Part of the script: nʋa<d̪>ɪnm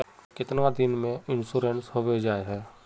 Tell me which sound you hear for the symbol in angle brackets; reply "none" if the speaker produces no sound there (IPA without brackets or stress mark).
d̪